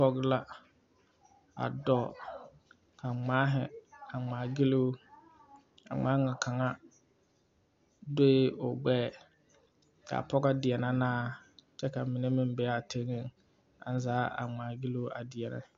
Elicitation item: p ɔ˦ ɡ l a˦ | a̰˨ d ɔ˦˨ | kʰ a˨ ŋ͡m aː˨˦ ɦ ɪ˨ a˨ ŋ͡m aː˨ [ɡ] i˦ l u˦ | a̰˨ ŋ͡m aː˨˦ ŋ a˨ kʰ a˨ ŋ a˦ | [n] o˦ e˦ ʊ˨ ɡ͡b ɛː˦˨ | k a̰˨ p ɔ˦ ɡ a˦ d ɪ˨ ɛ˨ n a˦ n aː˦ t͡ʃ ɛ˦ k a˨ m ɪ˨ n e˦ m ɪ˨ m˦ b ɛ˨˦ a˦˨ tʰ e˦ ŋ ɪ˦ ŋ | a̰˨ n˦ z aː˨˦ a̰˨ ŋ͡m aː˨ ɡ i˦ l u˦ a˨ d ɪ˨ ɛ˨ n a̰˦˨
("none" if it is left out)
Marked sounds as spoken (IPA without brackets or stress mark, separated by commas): ɡ, d